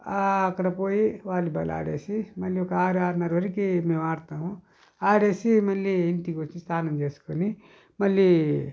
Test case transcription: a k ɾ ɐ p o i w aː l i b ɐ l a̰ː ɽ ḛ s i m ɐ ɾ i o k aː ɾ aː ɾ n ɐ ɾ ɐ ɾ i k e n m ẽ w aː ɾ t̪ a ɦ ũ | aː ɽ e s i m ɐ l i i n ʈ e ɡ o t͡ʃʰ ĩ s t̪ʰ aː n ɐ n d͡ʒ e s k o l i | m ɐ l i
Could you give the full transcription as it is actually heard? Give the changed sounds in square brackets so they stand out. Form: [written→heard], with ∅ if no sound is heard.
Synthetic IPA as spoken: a k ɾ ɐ p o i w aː l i b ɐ l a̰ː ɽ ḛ s i m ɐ [ɾ→l] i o k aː ɾ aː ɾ n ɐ ɾ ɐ ɾ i k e [n→∅] m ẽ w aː ɾ t̪ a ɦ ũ | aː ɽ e s i m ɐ l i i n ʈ [e→i] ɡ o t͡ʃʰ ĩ s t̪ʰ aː n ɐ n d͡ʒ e s k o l i | m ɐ l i